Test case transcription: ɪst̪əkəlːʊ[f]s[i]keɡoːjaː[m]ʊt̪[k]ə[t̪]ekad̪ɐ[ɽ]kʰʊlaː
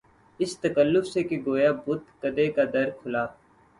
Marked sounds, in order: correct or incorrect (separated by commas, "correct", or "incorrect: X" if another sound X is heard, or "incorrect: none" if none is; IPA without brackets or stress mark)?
correct, incorrect: e, incorrect: b, correct, incorrect: d̪, incorrect: ɾ